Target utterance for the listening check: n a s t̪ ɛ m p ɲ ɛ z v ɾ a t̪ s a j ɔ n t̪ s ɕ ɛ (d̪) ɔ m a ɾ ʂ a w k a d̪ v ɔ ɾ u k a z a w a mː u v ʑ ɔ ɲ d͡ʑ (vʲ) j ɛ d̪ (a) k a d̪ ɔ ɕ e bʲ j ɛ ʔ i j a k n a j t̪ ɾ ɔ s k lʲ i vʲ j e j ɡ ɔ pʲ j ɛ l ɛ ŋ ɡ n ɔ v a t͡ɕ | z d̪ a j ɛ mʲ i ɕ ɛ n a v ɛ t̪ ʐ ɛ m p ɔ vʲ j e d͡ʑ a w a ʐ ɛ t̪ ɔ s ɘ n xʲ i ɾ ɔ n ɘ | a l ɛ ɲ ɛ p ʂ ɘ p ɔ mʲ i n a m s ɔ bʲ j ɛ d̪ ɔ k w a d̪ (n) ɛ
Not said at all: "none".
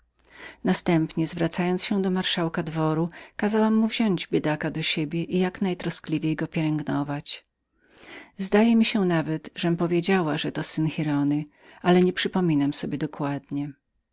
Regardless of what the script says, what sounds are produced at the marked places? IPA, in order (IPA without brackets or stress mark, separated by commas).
d̪, bʲ, a, ɲ